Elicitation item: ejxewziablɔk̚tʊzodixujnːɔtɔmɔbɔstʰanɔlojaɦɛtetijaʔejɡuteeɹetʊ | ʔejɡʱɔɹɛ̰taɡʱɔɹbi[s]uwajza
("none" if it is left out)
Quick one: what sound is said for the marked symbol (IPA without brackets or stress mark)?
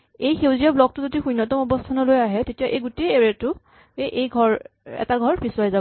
s